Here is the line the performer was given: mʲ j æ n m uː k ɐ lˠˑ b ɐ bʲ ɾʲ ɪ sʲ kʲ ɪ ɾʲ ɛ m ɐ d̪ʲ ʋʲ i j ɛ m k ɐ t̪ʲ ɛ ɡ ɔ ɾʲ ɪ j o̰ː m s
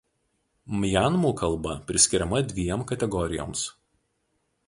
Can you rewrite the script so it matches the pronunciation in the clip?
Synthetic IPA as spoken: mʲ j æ n m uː k ɐ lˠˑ b ɐ pʲ ɾʲ ɪ sʲ kʲ ɪ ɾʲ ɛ m ɐ d̪ʲ ʋʲ i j ɛ m k ɐ t̪ʲ ɛ ɡ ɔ ɾʲ ɪ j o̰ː m s